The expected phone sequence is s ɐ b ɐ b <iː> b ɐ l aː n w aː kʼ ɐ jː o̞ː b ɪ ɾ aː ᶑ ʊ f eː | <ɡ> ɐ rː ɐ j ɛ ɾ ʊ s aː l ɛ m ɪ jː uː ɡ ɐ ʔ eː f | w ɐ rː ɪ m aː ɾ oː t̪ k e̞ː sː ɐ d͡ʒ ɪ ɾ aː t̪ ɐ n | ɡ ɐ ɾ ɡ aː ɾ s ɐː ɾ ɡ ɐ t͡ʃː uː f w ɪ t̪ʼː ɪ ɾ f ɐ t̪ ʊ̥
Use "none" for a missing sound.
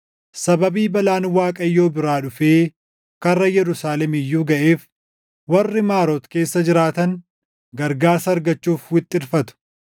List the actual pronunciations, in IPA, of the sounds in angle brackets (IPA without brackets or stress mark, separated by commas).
iː, k